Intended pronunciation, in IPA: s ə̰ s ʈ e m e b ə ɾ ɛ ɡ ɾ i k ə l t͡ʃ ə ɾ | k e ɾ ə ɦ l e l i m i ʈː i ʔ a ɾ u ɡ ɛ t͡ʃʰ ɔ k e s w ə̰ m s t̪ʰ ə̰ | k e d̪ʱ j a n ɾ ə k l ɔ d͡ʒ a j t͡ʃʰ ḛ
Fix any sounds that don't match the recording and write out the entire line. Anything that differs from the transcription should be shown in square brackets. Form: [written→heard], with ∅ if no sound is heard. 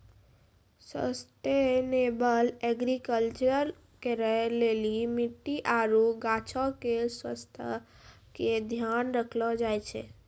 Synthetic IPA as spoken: s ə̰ s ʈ e [m→n] e b ə [ɾ→l] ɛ ɡ ɾ i k ə l t͡ʃ ə ɾ | k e ɾ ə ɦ l e l i m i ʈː i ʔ a ɾ u ɡ [ɛ→a] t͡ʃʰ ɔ k e s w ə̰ [m→∅] s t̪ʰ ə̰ | k e d̪ʱ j a n ɾ ə [k→kʰ] l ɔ d͡ʒ a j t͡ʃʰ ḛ